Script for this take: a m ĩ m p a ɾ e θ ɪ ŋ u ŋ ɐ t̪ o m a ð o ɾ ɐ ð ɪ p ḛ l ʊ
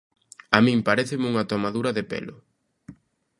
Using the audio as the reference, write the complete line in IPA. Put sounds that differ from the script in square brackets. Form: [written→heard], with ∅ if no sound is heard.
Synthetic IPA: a m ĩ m p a ɾ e θ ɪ [ŋ→m] u ŋ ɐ t̪ o m a ð [o→u] ɾ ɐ ð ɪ p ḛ l ʊ